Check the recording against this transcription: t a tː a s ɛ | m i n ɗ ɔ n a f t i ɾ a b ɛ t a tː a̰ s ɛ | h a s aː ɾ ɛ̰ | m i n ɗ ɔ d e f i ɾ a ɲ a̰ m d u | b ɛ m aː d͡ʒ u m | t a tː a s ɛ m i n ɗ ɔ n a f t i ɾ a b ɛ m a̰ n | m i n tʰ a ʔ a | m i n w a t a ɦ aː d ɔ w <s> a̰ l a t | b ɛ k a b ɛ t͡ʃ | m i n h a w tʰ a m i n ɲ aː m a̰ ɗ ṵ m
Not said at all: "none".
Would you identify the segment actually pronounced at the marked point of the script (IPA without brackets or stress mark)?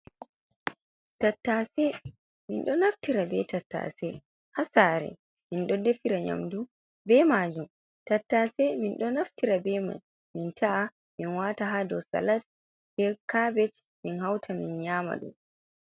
s